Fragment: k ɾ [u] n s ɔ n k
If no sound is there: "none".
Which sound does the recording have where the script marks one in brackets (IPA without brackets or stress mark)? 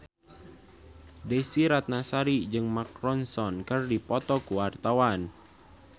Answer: ɔ